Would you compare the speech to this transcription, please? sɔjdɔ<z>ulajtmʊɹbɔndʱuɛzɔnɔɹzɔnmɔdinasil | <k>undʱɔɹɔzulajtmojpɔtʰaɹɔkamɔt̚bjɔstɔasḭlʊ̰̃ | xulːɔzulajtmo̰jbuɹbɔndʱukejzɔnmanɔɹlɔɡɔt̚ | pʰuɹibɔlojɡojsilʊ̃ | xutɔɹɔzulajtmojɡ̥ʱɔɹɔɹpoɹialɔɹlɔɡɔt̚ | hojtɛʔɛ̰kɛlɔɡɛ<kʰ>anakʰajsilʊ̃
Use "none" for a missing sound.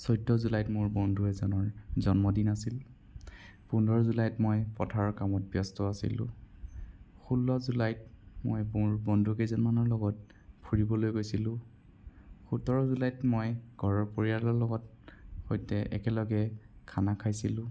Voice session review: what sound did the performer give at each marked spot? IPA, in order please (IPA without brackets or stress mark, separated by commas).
z, p, kʰ